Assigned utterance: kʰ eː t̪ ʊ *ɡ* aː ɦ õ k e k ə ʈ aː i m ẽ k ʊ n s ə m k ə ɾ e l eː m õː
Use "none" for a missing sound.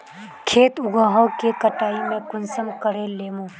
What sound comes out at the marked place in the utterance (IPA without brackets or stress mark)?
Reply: ɡ